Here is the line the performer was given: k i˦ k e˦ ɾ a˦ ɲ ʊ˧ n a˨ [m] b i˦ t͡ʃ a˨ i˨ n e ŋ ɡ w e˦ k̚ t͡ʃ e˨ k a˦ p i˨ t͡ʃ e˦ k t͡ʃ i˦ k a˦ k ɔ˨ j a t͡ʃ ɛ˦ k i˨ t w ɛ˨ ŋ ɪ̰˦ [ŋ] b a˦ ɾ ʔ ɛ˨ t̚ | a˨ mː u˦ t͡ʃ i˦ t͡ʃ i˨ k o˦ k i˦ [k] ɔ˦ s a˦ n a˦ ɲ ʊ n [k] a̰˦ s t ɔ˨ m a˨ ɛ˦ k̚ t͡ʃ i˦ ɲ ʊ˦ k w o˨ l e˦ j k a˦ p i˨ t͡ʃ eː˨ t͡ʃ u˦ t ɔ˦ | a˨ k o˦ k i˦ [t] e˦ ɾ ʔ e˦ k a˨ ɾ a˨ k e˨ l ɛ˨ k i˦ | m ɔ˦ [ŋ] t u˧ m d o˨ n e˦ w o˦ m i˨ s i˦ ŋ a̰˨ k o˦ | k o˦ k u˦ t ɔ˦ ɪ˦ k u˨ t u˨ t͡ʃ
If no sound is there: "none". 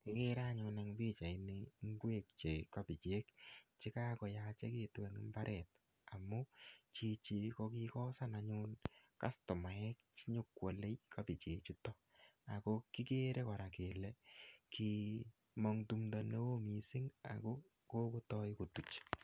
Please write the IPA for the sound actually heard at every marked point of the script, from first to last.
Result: ŋ, m, k, k, k, ŋ

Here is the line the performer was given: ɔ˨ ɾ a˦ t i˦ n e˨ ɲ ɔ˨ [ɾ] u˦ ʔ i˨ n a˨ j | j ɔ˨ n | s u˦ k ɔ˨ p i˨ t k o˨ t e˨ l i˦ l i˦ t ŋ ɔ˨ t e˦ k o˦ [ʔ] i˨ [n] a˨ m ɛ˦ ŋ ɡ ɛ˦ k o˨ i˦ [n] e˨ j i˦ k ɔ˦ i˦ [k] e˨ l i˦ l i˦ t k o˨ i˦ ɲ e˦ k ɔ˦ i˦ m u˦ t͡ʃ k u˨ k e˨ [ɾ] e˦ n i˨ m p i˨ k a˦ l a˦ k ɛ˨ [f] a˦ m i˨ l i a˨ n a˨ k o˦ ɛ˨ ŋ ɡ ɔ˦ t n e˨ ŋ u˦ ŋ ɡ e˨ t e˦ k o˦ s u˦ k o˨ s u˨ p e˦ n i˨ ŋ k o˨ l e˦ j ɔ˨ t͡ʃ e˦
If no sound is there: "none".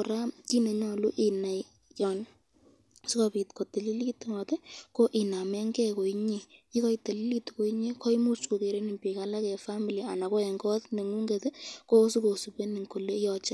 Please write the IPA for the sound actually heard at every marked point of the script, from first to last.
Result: l, ʔ, n, ɲ, t, ɾ, f

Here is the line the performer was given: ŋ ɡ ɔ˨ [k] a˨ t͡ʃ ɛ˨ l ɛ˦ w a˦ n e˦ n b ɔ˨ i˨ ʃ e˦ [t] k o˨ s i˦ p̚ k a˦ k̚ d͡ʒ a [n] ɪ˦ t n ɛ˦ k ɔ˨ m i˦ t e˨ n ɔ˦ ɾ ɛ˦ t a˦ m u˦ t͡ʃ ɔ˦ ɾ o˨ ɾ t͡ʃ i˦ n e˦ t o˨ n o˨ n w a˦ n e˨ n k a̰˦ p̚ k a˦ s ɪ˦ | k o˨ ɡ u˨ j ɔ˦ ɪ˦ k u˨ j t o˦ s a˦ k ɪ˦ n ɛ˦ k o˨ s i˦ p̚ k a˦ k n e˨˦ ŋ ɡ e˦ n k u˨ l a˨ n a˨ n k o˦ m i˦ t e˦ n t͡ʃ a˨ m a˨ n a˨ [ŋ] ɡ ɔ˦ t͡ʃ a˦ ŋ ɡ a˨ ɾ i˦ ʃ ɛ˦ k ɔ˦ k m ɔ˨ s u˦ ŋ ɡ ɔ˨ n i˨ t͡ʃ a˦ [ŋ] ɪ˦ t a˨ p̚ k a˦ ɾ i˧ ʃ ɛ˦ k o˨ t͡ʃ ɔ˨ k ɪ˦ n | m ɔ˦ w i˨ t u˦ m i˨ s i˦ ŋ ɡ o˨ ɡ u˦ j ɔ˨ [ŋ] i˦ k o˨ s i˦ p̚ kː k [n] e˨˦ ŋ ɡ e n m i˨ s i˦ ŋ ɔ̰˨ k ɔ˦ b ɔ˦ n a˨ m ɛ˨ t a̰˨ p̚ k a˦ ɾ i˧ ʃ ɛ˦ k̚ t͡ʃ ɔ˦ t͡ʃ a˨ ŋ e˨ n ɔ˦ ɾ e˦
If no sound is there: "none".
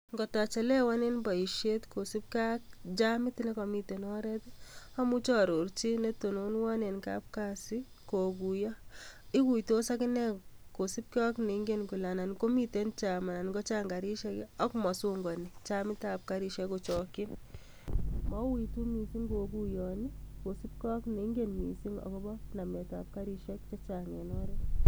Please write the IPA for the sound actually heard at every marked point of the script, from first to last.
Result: t, t, m, n, m, n, n

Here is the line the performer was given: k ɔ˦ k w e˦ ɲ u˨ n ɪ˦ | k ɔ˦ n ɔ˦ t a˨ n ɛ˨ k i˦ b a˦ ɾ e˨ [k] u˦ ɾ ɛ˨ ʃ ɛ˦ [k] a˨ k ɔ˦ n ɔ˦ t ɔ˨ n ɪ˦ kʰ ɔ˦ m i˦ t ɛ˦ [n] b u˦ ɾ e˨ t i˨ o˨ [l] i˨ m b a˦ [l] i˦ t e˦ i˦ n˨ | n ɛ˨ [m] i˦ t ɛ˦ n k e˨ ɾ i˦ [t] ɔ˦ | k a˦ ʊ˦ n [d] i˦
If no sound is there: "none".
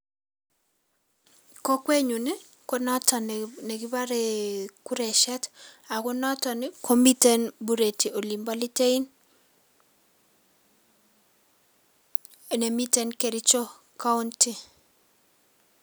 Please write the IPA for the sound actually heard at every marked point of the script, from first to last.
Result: k, t, n, l, l, m, t͡ʃ, t

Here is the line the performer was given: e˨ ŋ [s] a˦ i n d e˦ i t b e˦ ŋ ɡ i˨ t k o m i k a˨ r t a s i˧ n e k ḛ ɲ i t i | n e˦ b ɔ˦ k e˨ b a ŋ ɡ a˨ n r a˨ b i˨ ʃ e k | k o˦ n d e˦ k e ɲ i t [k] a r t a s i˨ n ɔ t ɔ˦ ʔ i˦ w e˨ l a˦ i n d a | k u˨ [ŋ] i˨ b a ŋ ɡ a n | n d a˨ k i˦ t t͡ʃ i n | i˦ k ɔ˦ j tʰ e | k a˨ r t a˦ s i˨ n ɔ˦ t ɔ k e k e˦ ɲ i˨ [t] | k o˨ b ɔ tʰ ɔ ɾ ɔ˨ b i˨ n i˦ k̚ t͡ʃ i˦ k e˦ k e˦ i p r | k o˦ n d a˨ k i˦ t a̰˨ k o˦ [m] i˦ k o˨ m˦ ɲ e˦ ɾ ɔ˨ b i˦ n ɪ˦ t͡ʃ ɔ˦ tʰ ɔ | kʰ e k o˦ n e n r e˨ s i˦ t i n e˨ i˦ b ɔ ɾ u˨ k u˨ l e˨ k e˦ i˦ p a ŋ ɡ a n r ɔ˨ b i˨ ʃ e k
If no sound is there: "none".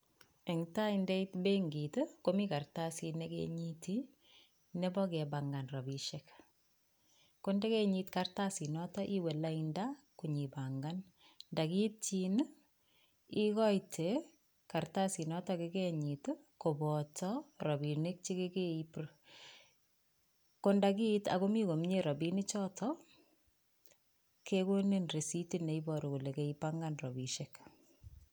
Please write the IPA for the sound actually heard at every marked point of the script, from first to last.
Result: t, k, ɲ, t, m

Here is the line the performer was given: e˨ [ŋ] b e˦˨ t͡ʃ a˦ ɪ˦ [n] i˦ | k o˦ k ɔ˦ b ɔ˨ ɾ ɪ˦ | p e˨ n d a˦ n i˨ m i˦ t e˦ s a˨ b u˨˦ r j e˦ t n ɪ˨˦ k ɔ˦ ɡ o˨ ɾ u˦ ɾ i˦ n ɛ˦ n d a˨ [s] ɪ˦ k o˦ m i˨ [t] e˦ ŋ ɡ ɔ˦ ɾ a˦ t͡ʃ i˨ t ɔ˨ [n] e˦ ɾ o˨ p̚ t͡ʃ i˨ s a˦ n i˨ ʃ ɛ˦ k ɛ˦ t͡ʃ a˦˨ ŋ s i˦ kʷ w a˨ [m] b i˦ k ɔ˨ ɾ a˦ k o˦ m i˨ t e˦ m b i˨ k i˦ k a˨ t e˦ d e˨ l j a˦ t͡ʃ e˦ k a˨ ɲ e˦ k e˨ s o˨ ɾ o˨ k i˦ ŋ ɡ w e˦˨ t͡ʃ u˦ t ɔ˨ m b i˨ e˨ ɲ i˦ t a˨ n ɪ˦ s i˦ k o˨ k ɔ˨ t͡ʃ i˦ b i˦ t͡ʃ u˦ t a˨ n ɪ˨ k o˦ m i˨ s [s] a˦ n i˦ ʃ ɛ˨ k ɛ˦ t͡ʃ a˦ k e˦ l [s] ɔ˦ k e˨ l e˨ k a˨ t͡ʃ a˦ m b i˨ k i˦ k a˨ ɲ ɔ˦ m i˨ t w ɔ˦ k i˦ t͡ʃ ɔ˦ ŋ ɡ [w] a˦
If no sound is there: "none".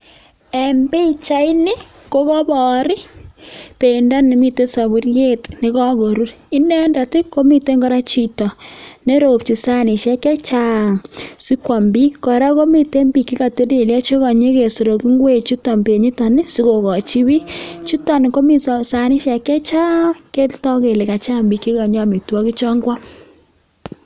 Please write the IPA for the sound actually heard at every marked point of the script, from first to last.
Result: m, n, t, t, n, m, s, t, w

